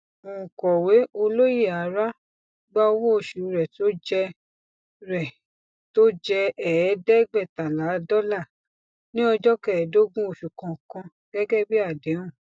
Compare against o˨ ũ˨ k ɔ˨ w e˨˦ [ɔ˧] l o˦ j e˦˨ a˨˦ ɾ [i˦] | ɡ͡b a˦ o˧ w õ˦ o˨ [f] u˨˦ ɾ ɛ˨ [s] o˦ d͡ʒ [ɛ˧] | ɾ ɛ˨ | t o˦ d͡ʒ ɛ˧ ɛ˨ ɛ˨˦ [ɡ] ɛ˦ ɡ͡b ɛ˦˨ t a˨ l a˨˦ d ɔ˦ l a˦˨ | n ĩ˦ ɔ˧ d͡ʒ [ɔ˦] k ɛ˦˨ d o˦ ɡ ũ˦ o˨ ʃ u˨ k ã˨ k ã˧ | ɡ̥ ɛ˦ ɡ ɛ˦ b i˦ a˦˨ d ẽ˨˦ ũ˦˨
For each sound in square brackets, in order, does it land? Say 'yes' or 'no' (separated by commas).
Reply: no, no, no, no, yes, no, yes